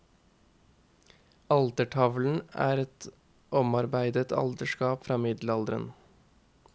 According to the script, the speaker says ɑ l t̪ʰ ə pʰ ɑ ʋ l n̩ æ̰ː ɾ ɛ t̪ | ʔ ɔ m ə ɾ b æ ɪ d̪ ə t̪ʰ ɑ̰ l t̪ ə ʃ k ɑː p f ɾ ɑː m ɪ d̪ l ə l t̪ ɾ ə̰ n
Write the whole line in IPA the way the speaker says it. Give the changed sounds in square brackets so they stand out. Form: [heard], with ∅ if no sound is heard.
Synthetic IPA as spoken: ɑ l [t̪] ə [ʈʰ] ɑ ʋ l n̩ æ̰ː ɾ ɛ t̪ | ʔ ɔ m [ɑ] ɾ b æ ɪ d̪ ə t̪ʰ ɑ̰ l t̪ ə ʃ k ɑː p f ɾ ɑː m ɪ d̪ l [ɑ] l [d̪] ɾ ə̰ n

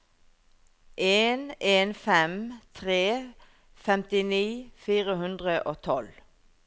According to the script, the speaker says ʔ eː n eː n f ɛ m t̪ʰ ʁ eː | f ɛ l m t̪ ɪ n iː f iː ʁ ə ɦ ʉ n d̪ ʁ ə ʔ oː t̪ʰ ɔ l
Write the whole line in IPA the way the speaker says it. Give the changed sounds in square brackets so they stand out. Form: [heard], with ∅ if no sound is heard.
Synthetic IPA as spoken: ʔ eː n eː n f ɛ m t̪ʰ ʁ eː | f ɛ [∅] m t̪ ɪ n iː f iː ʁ ə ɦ ʉ n d̪ ʁ ə ʔ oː t̪ʰ ɔ l

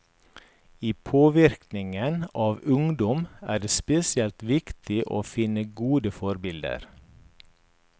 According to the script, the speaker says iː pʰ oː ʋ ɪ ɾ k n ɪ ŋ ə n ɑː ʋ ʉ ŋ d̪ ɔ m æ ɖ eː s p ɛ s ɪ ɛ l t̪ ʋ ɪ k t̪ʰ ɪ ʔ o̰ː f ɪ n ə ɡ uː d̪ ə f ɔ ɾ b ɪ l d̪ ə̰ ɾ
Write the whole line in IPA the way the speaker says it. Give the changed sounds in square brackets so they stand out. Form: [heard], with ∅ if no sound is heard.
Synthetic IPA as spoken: iː pʰ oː ʋ ɪ ɾ k n ɪ ŋ ə n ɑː ʋ ʉ ŋ d̪ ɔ m [æː] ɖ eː s p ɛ s ɪ ɛ l t̪ ʋ ɪ k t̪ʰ ɪ ʔ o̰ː f ɪ n ə ɡ uː d̪ ə f ɔ ɾ b ɪ l d̪ ə̰ ɾ

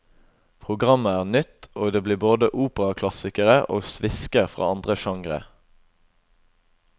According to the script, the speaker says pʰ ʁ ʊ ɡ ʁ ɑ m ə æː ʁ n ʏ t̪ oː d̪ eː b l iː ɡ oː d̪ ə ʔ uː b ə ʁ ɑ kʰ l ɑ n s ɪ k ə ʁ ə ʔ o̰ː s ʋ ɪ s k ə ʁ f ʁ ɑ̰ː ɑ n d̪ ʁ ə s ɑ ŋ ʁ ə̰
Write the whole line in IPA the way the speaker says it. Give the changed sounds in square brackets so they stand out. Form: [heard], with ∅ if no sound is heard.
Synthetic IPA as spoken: pʰ ʁ ʊ ɡ ʁ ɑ m ə æː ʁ n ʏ t̪ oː d̪ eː b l iː [b] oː d̪ ə ʔ uː [p] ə ʁ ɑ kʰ l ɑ [∅] s ɪ k ə ʁ ə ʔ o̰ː s ʋ ɪ s k ə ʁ f ʁ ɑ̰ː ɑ n d̪ ʁ ə [ʃ] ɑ ŋ ʁ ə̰

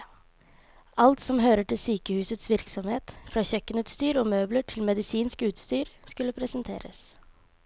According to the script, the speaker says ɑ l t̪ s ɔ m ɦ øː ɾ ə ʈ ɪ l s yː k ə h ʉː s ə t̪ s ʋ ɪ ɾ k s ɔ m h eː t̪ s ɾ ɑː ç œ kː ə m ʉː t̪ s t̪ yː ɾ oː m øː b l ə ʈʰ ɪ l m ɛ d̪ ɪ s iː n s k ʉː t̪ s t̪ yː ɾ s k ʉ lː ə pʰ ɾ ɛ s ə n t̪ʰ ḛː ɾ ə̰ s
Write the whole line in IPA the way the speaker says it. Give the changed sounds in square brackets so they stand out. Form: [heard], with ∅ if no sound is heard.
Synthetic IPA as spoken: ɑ l t̪ s ɔ m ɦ øː ɾ ə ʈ ɪ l s yː k ə h ʉː s ə t̪ s ʋ ɪ ɾ k s ɔ m h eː t̪ [f] ɾ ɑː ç œ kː ə [n] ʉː t̪ s t̪ yː ɾ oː m øː b l ə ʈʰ ɪ l m ɛ d̪ ɪ s iː n s k ʉː t̪ s t̪ yː ɾ s k ʉ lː ə pʰ ɾ ɛ s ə n t̪ʰ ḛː ɾ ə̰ s

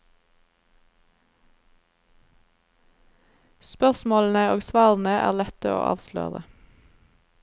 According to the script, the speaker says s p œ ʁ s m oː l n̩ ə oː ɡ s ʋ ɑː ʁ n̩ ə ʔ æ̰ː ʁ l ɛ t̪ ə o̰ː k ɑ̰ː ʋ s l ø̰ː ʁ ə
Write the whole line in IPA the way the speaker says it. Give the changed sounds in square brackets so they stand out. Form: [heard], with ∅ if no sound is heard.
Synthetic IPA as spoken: s p œ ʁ s m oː l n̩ ə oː ɡ s ʋ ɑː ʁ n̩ ə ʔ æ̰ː ʁ l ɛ t̪ ə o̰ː [ʔ] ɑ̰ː ʋ s l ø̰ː ʁ ə

